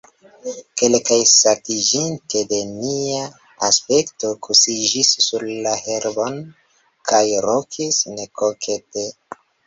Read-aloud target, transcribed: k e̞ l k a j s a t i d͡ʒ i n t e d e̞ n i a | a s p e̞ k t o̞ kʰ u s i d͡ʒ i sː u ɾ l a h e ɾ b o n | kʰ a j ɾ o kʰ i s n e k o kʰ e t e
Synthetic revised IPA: k e̞ l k a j s a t i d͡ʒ i n t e d e̞ n i a | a s p e̞ k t o̞ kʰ u s i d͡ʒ i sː u ɾ l a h e ɾ b o n | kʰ a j ɾ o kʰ i s n e k o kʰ e t e